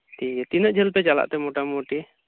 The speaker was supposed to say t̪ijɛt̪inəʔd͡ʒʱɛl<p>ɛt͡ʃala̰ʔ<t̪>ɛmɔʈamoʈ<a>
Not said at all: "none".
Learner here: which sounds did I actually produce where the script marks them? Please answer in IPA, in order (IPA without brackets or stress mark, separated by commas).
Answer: p, t̪, i